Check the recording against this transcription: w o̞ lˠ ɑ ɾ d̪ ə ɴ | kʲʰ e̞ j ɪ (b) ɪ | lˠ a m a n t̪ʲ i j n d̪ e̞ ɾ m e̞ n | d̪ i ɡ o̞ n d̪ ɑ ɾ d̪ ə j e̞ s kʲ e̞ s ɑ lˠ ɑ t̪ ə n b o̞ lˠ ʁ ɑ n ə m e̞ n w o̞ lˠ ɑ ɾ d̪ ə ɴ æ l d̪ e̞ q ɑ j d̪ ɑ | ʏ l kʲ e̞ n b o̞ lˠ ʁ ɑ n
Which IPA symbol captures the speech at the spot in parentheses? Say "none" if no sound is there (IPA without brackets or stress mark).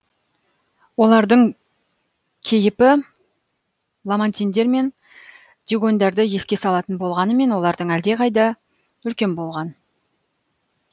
p